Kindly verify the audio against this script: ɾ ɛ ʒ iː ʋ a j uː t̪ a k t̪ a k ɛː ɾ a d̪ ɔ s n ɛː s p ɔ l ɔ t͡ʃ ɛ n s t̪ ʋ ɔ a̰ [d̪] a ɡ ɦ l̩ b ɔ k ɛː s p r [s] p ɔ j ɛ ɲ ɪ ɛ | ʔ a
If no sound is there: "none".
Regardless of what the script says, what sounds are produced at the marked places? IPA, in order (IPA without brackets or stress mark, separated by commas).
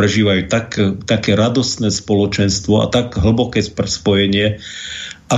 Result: t̪, s